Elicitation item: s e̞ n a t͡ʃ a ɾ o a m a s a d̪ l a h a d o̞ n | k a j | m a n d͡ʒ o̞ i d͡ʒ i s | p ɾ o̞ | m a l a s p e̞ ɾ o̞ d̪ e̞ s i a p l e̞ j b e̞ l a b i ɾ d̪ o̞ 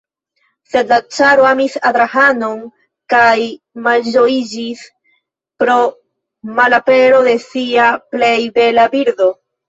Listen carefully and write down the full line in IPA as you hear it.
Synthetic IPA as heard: s e̞ d a t͡ʃ a ɾ o a m i s a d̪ ɾ a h a n o̞ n | k a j | m a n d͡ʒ o̞ i d͡ʒ i s | p ɾ o̞ | m a l a p e̞ ɾ o̞ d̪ e̞ s i a p l e̞ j b e̞ l a b i ɾ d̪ o̞